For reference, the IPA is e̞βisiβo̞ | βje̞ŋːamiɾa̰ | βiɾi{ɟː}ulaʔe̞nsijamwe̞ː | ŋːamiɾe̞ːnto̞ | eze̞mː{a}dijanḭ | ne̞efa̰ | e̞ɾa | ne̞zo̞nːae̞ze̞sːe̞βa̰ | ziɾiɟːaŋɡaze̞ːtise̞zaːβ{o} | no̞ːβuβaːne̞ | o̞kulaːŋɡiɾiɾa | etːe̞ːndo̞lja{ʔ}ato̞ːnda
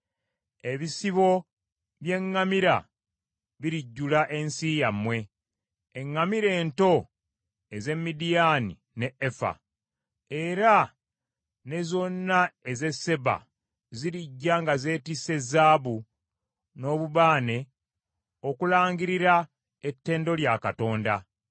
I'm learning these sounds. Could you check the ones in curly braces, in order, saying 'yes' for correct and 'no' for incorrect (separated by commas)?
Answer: yes, no, no, no